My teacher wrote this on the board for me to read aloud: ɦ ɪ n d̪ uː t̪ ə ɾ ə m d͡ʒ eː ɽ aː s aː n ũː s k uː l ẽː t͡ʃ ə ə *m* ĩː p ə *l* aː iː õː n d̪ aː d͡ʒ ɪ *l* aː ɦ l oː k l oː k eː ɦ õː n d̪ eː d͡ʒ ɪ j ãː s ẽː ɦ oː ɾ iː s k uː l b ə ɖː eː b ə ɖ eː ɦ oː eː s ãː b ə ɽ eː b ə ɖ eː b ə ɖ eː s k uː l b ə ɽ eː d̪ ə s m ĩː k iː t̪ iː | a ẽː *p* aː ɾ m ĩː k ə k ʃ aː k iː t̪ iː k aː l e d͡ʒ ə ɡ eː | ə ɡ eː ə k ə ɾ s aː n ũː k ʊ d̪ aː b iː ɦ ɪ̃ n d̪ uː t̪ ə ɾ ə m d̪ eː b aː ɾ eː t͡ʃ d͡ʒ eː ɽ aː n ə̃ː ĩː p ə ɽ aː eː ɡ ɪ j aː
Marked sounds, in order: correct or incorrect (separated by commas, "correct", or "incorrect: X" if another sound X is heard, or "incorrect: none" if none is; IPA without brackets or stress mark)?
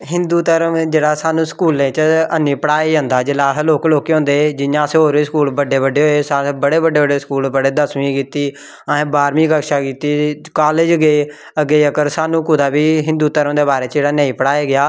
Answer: incorrect: n, incorrect: ɽ, correct, incorrect: b